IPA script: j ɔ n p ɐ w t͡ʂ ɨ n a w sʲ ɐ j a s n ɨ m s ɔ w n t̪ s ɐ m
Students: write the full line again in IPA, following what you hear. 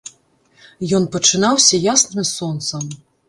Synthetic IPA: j ɔ n p ɐ t͡ʂ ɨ n a w sʲ ɐ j a s n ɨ m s ɔ n t̪ s ɐ m